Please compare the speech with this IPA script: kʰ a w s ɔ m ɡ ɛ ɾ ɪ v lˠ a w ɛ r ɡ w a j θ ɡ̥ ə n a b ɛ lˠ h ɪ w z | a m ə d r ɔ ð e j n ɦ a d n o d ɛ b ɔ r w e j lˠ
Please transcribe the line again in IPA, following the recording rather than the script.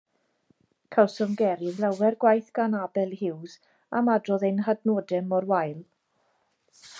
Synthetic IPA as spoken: kʰ a w s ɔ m ɡ ɛ ɾ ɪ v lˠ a w ɛ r ɡ w a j θ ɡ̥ a n a b ɛ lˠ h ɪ w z | a m a d r ɔ ð e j n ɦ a d n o d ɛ m ɔ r w a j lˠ

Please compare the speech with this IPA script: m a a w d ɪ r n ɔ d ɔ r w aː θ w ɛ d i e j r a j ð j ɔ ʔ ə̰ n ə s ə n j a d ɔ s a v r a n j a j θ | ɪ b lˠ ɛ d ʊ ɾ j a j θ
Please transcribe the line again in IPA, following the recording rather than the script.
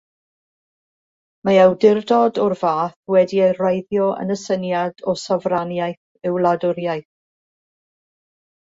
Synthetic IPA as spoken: m a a w d ɪ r d ɔ d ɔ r v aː θ w ɛ d i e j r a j ð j ɔ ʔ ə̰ n ə s ə n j a d ɔ s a v r a n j a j θ | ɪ w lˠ a d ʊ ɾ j a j θ

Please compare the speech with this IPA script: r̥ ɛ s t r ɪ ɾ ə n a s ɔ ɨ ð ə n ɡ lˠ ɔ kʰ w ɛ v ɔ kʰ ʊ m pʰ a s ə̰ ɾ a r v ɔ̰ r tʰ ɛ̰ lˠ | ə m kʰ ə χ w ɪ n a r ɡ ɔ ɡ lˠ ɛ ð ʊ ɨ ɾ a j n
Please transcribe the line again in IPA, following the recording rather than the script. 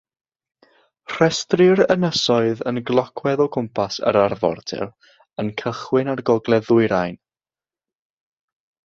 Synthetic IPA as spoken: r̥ ɛ s t r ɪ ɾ ə n ə s ɔ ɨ ð ə n ɡ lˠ ɔ kʰ w ɛ ð ɔ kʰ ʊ m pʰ a s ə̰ ɾ a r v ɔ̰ r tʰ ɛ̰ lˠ | ə n kʰ ə χ w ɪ n a r ɡ ɔ ɡ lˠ ɛ ð ʊ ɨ ɾ a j n

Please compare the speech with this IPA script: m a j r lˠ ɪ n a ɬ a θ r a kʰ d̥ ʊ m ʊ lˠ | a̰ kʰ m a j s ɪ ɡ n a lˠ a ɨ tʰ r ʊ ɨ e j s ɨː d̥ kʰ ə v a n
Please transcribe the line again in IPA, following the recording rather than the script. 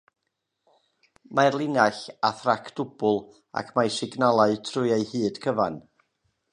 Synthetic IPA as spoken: m a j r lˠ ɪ n a ɬ a θ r a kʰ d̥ ʊ b ʊ lˠ | a̰ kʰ m a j s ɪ ɡ n a lˠ a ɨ tʰ r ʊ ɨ e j h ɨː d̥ kʰ ə v a n

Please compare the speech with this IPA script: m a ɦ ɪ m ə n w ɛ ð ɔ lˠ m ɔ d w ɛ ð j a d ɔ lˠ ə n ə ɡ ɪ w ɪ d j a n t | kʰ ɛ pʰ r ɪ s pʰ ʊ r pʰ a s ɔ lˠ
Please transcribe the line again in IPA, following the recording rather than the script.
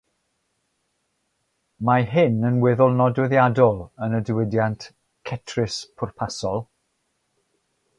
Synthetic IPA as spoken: m a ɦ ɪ n ə n w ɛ ð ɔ lˠ n ɔ d w ɛ ð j a d ɔ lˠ ə n ə d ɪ w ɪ d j a n t | kʰ ɛ tʰ r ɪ s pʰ ʊ r pʰ a s ɔ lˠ

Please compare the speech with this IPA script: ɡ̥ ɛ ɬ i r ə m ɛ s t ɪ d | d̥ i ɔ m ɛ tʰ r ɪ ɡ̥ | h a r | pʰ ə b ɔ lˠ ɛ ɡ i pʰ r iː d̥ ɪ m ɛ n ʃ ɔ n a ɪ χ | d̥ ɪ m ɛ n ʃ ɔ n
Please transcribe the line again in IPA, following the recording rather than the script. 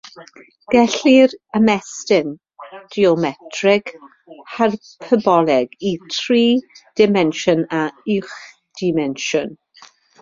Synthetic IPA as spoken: ɡ̥ ɛ ɬ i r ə m ɛ s t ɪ n | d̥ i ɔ m ɛ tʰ r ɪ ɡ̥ | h a r | pʰ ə b ɔ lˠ ɛ ɡ i tʰ r iː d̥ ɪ m ɛ n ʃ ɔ n a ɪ χ | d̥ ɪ m ɛ n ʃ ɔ n

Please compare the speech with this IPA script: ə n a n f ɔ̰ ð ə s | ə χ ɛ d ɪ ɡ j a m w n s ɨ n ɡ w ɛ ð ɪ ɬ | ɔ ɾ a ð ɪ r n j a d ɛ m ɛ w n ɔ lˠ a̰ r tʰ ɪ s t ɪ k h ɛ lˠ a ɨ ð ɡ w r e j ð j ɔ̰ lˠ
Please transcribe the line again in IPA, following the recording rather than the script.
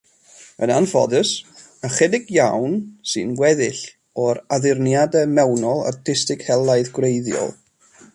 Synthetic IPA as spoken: ə n a n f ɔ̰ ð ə s | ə χ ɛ d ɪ ɡ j a w n s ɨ n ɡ w ɛ ð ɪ ɬ | ɔ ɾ a ð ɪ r n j a d ɛ m ɛ w n ɔ lˠ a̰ r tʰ ɪ s t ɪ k h ɛ lˠ a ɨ ð ɡ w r e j ð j ɔ̰ lˠ

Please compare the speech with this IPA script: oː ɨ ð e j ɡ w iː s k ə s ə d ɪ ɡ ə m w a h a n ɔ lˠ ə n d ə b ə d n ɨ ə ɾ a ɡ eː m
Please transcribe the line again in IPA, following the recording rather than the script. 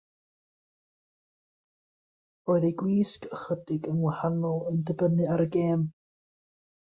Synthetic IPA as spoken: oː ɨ ð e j ɡ w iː s k ə χ ə d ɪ ɡ ə n w a h a n ɔ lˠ ə n d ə b ə n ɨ a ɾ ə ɡ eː m

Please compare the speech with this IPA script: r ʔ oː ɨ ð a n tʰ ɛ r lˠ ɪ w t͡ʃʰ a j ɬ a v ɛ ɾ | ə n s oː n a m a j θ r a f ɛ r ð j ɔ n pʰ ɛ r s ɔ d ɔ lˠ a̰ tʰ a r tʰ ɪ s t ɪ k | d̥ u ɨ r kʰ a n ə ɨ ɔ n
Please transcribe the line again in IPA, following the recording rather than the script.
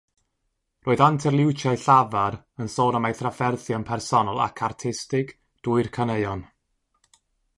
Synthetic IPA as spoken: r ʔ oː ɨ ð a n tʰ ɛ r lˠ ɪ w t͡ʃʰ a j ɬ a v a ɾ | ə n s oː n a m a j θ r a f ɛ r θ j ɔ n pʰ ɛ r s ɔ n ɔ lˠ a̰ kʰ a r tʰ ɪ s t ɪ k | d̥ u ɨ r kʰ a n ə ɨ ɔ n

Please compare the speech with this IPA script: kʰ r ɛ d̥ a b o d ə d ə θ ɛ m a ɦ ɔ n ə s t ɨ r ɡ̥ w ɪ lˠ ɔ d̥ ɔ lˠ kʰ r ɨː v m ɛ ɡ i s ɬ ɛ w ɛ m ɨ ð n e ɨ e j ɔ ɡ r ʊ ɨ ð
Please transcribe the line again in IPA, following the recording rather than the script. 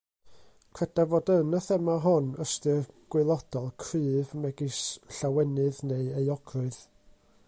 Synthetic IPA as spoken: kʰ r ɛ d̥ a v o d ə n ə θ ɛ m a ɦ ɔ n ə s t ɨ r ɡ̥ w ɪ lˠ ɔ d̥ ɔ lˠ kʰ r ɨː v m ɛ ɡ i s ɬ a w ɛ n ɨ ð n e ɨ e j ɔ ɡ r ʊ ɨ ð

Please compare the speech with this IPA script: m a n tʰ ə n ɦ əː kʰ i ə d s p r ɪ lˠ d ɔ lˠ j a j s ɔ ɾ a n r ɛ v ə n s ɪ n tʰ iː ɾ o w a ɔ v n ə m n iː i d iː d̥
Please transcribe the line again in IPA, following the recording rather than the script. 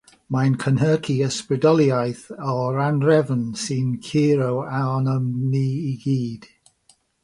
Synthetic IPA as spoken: m a n kʰ ə n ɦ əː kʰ i ə s p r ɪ d ɔ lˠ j a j θ ɔ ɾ a n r ɛ v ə n s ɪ n kʰ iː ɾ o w a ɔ n ə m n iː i ɡ iː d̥

